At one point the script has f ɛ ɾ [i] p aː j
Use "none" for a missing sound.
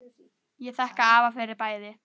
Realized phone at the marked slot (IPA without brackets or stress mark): ɪ